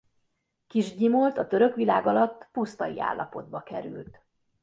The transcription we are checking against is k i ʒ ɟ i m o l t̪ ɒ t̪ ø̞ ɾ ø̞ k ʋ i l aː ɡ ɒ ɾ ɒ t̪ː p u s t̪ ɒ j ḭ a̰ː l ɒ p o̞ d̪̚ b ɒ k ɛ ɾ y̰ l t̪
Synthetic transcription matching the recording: k i ʒ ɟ i m o l t̪ ɒ t̪ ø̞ ɾ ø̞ k ʋ i l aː ɡ ɒ l ɒ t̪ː p u s t̪ ɒ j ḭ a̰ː lː ɒ p o̞ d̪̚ b ɒ k ɛ ɾ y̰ l t̪